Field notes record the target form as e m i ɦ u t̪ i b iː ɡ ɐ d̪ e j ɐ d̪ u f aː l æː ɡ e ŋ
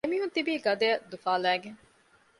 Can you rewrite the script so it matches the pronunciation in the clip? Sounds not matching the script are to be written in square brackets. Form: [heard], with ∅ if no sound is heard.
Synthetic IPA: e m i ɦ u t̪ i b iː ɡ ɐ d̪ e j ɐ d̪ u f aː l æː ɡ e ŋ